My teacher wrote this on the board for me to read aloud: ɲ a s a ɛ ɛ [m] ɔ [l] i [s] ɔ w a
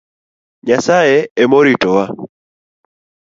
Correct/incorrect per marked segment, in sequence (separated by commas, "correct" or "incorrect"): correct, incorrect, incorrect